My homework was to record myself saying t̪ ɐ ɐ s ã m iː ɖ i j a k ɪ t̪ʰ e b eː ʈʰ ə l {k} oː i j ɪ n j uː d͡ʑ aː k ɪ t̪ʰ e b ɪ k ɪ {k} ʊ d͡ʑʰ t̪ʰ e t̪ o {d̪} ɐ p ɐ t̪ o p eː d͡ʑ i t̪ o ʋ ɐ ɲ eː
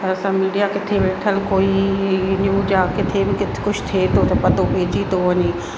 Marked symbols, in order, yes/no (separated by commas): yes, yes, no